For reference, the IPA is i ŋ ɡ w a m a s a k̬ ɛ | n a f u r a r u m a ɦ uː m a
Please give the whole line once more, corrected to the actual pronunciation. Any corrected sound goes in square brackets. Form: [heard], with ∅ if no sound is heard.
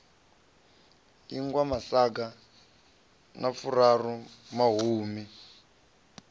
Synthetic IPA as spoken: i ŋ ɡ w a m a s a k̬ [a] | n a f u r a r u m a ɦ uː m [i]